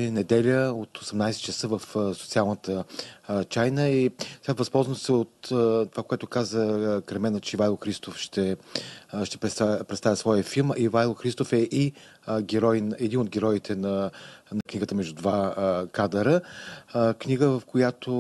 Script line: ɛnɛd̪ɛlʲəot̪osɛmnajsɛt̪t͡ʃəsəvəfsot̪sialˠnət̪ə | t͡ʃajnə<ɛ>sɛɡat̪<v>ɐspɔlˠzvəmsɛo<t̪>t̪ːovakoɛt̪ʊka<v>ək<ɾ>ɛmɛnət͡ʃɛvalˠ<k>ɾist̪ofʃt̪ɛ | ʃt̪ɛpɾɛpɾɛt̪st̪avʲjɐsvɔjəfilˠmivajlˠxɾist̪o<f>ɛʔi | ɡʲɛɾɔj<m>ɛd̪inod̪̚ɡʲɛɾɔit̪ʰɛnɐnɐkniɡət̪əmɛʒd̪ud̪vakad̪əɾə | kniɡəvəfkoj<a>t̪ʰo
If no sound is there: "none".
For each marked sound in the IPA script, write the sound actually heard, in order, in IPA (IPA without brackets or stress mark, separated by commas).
i, v, t̪, z, ɾ, x, f, n, a